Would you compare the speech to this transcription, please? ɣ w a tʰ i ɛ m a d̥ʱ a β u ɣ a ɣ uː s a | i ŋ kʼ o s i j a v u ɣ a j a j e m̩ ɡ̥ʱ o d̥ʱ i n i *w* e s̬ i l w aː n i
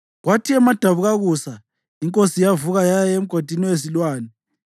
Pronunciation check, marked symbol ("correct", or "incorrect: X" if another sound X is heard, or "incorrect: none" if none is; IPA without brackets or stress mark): correct